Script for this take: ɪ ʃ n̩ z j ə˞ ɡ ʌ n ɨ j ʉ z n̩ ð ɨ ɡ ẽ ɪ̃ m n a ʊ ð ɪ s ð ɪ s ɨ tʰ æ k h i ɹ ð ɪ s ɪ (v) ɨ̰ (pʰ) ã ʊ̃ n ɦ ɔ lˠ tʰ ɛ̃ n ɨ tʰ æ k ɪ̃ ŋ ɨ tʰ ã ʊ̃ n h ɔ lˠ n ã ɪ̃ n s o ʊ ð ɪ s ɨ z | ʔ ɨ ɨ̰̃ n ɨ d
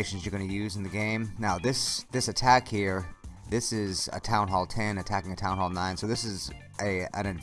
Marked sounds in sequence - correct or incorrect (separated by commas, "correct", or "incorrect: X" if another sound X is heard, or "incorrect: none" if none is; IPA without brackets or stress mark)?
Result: incorrect: z, incorrect: tʰ